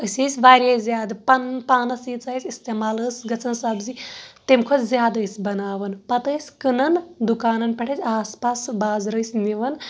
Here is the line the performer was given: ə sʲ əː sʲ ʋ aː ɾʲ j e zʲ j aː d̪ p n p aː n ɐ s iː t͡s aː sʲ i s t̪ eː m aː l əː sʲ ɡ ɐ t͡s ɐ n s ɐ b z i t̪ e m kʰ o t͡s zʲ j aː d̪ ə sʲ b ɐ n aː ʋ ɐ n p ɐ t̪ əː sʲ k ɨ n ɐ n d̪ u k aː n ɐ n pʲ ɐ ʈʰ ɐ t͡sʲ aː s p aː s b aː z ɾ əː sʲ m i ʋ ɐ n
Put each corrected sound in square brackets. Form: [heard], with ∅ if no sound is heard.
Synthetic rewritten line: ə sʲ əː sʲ ʋ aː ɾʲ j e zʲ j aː d̪ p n p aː n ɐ s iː t͡s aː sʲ i s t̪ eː m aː l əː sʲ ɡ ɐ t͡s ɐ n s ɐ b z i t̪ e m kʰ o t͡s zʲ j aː d̪ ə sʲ b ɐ n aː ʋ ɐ n p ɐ t̪ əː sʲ k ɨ n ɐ n d̪ u k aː n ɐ n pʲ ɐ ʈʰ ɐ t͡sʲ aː s p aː s b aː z ɾ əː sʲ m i ʋ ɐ n